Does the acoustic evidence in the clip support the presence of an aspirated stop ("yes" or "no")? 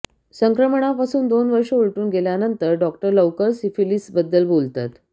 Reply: no